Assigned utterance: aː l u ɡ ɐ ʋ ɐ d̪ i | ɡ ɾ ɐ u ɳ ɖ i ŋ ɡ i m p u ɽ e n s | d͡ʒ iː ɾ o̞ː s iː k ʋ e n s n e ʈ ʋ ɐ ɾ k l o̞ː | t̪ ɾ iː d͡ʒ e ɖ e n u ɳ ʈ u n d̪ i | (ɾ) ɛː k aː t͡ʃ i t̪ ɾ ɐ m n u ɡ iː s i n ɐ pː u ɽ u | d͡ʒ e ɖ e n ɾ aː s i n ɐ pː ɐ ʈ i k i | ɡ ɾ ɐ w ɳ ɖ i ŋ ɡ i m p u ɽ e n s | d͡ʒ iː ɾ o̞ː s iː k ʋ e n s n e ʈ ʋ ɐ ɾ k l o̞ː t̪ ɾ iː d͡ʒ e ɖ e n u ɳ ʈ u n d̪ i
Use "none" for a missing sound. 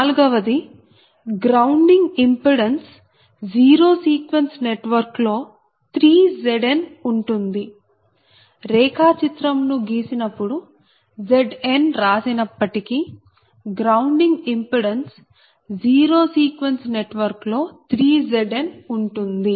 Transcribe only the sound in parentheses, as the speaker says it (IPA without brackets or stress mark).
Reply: ɾ